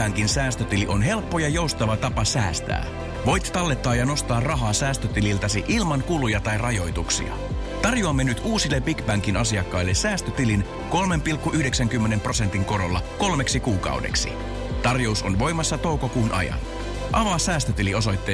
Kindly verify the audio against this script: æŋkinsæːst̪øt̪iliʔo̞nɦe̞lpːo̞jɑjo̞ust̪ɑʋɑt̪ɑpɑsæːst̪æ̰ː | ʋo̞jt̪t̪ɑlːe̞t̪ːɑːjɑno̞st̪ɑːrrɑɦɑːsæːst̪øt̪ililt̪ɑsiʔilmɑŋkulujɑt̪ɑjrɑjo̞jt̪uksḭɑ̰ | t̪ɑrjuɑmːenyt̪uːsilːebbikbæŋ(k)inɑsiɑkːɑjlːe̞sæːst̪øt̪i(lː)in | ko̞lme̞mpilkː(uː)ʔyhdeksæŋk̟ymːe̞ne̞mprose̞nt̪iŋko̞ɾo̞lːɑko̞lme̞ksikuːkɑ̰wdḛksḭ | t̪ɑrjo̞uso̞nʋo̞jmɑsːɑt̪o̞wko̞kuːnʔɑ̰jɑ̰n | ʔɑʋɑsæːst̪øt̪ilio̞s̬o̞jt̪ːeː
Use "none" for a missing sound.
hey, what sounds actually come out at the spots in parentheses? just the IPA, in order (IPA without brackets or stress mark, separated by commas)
k, l, u